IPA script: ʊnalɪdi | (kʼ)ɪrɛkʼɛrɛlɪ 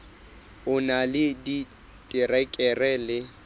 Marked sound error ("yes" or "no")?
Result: yes